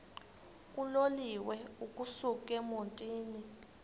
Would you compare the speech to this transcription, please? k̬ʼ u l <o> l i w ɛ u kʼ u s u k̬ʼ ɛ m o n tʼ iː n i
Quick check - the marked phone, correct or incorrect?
correct